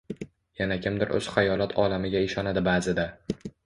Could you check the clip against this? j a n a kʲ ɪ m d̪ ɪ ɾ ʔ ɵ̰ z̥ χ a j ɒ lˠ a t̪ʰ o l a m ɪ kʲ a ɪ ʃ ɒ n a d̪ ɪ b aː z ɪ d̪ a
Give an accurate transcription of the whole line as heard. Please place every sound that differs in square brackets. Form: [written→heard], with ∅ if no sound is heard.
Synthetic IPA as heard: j a n a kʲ ɪ m d̪ ɪ ɾ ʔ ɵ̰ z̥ χ a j ɒ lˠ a t̪ʰ [o→ɒ] l a m ɪ [kʲ→ɡʲ] a ɪ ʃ ɒ n a d̪ ɪ b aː z ɪ d̪ a